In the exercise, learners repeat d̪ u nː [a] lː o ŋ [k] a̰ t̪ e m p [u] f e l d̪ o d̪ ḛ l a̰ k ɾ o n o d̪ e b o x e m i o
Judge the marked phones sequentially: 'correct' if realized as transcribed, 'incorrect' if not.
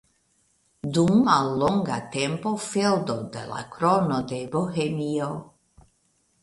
correct, incorrect: ɡ, incorrect: o

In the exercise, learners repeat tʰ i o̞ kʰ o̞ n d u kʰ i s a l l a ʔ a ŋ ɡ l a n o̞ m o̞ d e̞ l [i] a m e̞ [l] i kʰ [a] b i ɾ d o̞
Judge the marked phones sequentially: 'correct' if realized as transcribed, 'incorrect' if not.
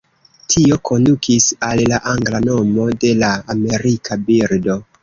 incorrect: a, incorrect: ɾ, correct

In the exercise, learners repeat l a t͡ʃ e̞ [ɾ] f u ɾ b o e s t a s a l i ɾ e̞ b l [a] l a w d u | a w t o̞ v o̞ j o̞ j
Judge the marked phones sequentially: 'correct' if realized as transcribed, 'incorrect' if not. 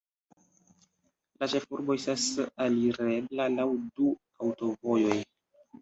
incorrect: none, correct

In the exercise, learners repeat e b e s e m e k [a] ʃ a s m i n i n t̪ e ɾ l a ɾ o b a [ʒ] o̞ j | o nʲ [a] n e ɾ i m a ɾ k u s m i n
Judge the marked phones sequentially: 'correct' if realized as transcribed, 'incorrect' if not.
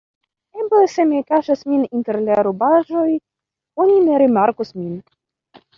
correct, correct, incorrect: i

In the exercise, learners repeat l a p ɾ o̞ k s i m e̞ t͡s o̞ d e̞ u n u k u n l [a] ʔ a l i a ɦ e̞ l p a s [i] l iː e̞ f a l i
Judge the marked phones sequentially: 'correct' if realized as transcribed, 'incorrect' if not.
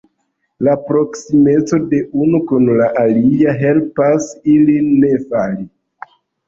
correct, correct

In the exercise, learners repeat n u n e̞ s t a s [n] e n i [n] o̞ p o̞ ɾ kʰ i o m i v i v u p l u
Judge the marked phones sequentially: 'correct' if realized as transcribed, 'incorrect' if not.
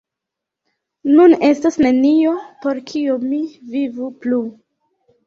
correct, incorrect: none

